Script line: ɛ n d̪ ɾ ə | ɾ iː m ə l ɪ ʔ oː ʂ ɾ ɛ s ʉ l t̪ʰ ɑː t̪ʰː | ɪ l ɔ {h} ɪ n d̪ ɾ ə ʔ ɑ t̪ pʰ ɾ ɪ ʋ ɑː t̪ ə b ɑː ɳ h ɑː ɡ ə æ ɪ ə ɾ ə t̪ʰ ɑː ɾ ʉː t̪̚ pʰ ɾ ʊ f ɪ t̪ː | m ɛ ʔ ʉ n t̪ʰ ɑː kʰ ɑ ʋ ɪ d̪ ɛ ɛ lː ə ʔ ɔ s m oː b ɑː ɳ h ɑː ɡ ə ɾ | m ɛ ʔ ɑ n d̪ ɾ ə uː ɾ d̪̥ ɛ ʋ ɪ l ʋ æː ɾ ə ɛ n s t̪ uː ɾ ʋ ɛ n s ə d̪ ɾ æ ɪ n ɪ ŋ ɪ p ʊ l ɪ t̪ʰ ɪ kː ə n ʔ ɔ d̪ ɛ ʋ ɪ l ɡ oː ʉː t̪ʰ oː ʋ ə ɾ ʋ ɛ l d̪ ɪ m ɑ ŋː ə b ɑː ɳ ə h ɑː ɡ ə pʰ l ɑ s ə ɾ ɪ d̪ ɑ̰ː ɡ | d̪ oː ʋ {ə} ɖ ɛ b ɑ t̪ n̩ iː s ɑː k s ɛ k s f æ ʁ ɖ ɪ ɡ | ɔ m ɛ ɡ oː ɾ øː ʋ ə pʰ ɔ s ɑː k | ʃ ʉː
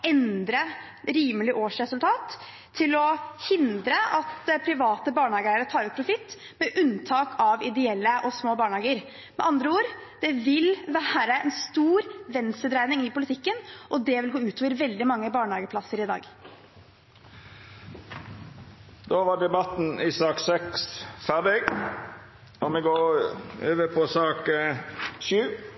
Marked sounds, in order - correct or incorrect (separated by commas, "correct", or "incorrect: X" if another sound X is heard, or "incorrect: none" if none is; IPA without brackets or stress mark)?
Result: correct, incorrect: ɑ